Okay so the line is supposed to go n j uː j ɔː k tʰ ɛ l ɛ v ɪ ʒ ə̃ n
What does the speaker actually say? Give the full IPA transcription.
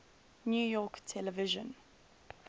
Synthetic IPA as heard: n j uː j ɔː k tʰ ɛ l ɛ v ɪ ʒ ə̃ n